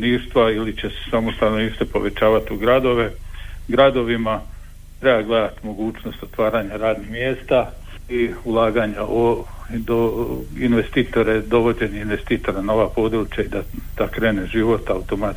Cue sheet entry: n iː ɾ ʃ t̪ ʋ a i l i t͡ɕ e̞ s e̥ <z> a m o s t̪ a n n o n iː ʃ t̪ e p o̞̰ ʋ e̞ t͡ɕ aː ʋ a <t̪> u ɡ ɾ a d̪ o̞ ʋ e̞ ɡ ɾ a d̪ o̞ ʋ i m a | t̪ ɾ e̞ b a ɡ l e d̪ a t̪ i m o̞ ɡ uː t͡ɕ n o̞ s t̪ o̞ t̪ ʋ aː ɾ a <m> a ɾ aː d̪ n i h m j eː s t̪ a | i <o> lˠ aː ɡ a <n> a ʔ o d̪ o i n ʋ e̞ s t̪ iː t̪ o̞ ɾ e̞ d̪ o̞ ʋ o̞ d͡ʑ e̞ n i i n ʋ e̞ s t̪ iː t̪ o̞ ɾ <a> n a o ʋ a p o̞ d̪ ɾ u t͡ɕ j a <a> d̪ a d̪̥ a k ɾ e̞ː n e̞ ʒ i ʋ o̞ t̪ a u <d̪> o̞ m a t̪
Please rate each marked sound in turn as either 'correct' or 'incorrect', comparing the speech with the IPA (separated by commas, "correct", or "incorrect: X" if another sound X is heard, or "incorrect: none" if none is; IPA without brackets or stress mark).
incorrect: s, correct, incorrect: ɲ, incorrect: u, incorrect: ɲ, correct, incorrect: i, incorrect: t̪